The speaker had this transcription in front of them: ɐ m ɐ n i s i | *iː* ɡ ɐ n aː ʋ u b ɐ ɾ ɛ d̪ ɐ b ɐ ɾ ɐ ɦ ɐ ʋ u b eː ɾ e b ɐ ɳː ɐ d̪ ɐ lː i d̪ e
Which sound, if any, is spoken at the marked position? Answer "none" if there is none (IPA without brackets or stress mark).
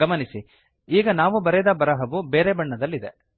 iː